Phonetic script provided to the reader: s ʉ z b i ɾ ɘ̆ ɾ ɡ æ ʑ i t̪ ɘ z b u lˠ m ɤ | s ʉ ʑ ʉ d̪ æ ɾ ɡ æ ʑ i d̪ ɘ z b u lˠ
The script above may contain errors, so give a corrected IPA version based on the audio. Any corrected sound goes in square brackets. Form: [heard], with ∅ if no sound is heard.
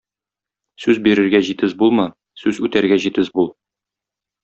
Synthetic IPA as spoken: s ʉ z b i ɾ ɘ̆ ɾ ɡ æ ʑ i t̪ ɘ z b u lˠ m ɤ | s ʉ [z] ʉ [t̪] æ ɾ ɡ æ ʑ i [t̪] ɘ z b u lˠ